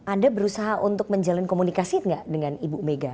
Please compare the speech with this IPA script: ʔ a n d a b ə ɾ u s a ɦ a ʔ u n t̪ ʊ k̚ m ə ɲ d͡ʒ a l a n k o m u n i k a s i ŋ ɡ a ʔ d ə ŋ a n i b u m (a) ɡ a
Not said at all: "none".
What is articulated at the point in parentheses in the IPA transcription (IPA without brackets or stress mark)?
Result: e